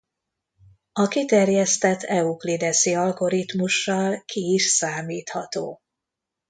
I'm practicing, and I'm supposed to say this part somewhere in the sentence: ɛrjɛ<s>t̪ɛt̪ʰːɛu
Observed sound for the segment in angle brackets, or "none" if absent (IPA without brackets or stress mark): s